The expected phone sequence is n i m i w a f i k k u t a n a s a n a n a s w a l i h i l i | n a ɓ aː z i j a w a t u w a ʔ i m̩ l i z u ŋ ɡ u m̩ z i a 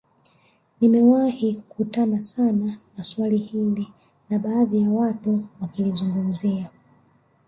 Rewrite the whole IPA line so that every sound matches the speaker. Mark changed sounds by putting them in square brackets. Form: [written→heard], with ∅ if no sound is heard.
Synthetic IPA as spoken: n i m [i→ɛ] w a [f→h] i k k u t a n a s a n a n a s w a l i h i l i | n a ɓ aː [z→ð] i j a w a t u w a [ʔ→k] i [m̩→∅] l i z u ŋ ɡ u m̩ z i a